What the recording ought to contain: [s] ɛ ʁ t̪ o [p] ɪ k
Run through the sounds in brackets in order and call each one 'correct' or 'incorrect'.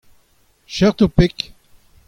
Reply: incorrect: ʃ, correct

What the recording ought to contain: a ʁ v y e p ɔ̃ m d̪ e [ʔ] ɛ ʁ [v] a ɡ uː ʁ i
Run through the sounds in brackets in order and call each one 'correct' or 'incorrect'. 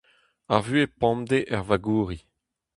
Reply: correct, correct

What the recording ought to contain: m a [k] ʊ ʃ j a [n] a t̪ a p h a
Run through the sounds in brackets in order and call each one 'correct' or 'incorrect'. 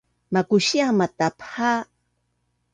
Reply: correct, incorrect: m

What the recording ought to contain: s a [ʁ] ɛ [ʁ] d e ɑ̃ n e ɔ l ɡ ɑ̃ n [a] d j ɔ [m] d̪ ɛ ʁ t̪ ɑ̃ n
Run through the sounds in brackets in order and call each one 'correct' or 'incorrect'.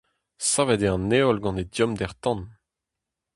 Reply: incorrect: v, incorrect: none, incorrect: e, correct

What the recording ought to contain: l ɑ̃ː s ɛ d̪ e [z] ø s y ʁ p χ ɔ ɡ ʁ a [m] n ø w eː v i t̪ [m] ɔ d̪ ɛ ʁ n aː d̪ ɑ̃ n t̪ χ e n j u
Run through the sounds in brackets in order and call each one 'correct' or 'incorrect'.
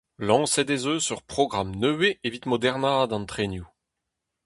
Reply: correct, correct, correct

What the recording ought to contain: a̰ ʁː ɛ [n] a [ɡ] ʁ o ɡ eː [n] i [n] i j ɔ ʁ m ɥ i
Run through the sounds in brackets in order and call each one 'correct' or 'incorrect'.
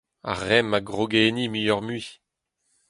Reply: incorrect: m, correct, correct, incorrect: m

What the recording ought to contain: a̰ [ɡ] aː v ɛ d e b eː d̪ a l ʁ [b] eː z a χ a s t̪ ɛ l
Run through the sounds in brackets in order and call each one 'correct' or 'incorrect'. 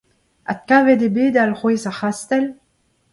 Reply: incorrect: k, incorrect: w

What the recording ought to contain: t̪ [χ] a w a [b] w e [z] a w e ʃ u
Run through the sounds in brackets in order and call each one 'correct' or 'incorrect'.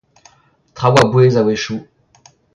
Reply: correct, correct, correct

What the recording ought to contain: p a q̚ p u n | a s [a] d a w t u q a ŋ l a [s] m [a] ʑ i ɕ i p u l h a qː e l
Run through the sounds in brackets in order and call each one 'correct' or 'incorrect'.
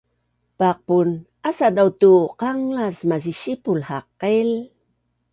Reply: correct, correct, correct

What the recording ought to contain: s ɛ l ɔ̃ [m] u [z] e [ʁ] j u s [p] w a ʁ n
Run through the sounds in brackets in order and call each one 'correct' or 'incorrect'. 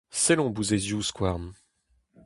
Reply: incorrect: b, correct, incorrect: z, incorrect: k

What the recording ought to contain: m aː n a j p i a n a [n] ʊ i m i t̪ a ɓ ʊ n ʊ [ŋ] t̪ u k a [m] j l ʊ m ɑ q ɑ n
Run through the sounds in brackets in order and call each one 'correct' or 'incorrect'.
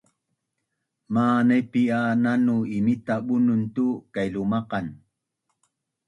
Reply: correct, incorrect: n, incorrect: none

